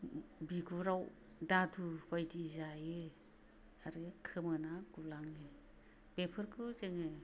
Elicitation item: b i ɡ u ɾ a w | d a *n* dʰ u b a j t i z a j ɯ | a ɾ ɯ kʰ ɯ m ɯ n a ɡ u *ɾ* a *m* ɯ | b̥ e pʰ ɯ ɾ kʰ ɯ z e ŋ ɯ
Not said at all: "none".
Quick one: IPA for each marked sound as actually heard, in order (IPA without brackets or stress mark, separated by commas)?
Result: none, l, ŋ